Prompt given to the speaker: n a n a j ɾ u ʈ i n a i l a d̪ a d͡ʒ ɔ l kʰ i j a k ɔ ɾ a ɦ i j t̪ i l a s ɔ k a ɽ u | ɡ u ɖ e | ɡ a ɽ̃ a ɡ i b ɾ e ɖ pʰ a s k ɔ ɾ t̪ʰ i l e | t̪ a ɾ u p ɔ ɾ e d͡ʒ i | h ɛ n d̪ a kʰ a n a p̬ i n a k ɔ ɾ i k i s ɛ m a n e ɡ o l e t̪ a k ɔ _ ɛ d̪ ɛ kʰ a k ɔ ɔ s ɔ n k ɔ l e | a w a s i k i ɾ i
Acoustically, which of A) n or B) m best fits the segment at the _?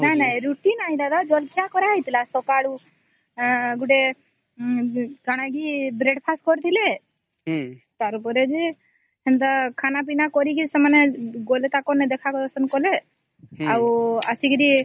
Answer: A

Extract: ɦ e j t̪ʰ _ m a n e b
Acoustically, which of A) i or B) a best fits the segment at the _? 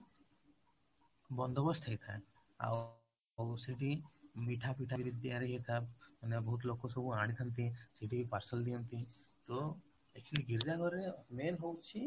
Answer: B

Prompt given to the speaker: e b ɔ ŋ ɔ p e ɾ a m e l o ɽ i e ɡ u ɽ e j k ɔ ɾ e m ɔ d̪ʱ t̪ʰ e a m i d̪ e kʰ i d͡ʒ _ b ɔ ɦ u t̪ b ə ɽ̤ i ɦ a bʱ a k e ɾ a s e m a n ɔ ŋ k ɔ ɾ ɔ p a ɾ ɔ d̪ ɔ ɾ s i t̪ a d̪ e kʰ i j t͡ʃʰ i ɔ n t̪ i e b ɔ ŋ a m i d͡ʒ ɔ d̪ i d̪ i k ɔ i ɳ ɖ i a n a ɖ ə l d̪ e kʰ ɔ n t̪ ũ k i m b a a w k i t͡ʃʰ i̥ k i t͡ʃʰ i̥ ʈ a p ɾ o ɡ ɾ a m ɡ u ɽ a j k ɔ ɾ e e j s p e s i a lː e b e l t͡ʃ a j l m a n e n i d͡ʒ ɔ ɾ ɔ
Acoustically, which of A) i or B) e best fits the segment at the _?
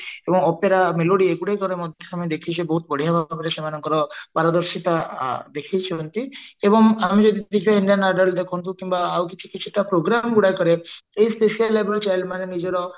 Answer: B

